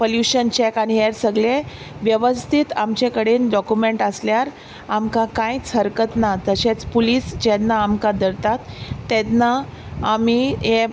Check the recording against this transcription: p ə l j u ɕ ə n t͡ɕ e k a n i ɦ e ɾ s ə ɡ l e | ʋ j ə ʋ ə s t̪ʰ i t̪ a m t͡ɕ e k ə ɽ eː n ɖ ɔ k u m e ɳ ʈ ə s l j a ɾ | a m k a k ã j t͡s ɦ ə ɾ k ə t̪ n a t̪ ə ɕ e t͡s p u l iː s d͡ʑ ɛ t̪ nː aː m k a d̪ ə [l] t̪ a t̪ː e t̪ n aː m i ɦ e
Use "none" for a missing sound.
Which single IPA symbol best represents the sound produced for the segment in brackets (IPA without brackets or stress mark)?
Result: ɾ